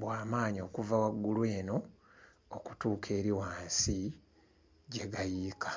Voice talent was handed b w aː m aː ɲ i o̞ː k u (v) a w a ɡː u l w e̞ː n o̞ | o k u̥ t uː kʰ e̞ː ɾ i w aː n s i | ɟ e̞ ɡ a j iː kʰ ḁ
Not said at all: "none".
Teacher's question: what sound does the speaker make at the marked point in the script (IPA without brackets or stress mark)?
v